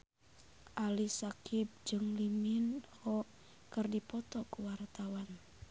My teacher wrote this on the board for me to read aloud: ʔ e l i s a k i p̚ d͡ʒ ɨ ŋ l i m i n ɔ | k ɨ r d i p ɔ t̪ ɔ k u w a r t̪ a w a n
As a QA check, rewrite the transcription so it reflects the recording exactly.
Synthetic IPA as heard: ʔ a l i s a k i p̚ d͡ʒ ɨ ŋ l i m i n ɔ | k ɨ r d i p ɔ t̪ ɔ k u w a r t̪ a w a n